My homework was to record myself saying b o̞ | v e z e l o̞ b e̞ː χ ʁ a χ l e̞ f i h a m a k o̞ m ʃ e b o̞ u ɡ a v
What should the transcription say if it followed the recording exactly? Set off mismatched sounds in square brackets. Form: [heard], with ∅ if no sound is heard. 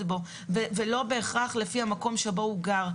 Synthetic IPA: b o̞ | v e [v] e l o̞ b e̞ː χ ʁ a χ l e̞ f i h a m a k o̞ m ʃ e b o̞ u ɡ a [ʁ]

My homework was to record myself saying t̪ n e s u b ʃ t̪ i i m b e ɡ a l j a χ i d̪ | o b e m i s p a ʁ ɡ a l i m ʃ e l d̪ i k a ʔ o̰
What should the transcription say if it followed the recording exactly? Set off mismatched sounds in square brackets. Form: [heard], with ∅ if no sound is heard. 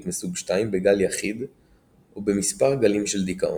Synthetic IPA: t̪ [m] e s u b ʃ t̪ [a] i m b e ɡ a l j a χ i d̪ | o b e m i s p a ʁ ɡ a l i m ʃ e l d̪ i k a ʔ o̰

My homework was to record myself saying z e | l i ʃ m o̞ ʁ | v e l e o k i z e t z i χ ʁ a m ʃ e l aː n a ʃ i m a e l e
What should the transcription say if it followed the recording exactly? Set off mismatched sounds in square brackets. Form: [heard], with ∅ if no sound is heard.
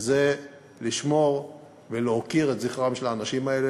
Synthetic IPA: z e | l i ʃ m o̞ ʁ | v e l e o k i [ʁ] e t z i χ ʁ a m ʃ e l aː n a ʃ i m a e l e

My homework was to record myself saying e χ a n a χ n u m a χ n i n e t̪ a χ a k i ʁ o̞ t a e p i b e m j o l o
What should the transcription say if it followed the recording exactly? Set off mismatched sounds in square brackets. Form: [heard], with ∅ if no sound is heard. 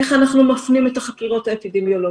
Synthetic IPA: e χ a n a χ n u m a [f] n i [m] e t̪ a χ a k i ʁ o̞ t a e p i [d] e m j o l o

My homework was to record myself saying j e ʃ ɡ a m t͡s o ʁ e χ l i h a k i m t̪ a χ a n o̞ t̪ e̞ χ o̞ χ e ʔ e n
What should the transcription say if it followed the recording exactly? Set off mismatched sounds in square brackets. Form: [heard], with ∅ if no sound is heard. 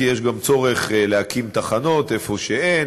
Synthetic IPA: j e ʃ ɡ a m t͡s o ʁ e χ l [e] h a k i m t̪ a χ a n o̞ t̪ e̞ [f] o̞ [ʃ] e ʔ e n

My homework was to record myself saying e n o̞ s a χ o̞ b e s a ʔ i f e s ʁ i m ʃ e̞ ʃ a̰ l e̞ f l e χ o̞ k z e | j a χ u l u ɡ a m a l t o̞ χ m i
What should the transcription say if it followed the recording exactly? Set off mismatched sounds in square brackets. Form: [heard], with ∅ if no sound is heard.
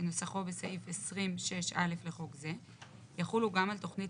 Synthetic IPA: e n o̞ s a χ o̞ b e s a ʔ i f e s ʁ i m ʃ e̞ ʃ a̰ l e̞ f l e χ o̞ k z e | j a χ u l u ɡ a m a l t o̞ χ [n] i

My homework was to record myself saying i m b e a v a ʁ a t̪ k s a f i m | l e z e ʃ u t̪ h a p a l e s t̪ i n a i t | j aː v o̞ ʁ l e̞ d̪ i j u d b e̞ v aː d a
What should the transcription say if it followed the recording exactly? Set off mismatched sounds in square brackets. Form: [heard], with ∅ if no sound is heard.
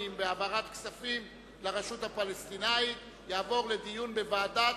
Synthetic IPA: i m b e a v a ʁ a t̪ k s a f i m | l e [ʁ] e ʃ u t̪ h a p a l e s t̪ i n a i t | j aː v o̞ ʁ l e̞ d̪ i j u [n] b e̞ v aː d a

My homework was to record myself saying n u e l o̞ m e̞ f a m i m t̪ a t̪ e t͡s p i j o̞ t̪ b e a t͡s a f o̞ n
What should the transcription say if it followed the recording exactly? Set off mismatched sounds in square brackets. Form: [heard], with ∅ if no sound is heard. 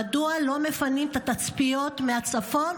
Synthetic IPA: [d] u [a] l o̞ m e̞ f a [n] i m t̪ a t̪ [a] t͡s p i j o̞ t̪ [m] e a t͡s a f o̞ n

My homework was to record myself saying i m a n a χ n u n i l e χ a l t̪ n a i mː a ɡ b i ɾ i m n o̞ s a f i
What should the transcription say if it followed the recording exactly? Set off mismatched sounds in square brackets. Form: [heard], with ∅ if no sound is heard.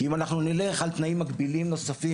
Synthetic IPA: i m a n a χ n u n i l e χ a l t̪ n a i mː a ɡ b i [l] i m n o̞ s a f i

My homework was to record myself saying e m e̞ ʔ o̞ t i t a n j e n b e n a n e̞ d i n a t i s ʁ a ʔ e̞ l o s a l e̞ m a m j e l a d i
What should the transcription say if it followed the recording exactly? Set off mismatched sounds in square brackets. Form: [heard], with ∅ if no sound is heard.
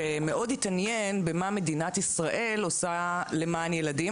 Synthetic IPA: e m e̞ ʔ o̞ [d] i t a n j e n b e [m] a [m] e̞ d i n a t i s ʁ a ʔ e̞ l o s a l e̞ m a [n] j e l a d i

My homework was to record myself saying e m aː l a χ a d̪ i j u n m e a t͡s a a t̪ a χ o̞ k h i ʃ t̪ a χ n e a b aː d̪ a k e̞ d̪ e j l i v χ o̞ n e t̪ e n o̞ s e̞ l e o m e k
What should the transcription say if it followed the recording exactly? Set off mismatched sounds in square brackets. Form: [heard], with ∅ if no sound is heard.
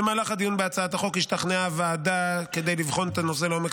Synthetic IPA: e m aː l a χ a d̪ i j u n [b] e a t͡s a a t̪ a χ o̞ k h i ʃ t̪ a χ n e a [v] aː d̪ a k e̞ d̪ e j l i v χ o̞ n e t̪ [a] n o̞ s e̞ l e o m e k

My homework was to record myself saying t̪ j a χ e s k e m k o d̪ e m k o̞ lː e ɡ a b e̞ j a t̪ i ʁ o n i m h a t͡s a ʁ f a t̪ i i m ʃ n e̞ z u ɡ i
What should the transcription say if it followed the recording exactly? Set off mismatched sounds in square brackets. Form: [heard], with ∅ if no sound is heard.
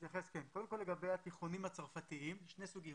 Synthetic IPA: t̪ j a χ e s k e [n] k o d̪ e m k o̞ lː e ɡ a b e̞ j a t̪ i [χ] o n i m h a t͡s a ʁ f a t̪ i i m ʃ n e̞ [s] u ɡ i

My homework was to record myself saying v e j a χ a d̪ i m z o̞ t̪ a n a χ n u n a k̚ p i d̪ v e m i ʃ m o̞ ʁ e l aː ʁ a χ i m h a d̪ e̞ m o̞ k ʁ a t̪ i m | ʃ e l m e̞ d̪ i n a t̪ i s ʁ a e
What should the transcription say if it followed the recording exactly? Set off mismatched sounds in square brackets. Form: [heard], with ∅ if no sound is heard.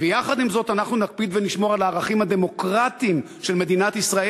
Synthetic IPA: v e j a χ a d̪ i m z o̞ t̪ a n a χ n u n a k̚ p i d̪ v e [n] i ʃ m o̞ ʁ [a] l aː ʁ a χ i m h a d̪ e̞ m o̞ k ʁ a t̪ i m | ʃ e l m e̞ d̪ i n a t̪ i s ʁ a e

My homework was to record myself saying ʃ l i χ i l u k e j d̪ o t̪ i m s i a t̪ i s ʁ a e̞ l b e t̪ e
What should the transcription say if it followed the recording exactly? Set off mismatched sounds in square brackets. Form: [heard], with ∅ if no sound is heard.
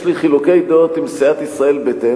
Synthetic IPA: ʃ l i χ i l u k e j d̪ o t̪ i m s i a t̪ i s ʁ a e̞ l b e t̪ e

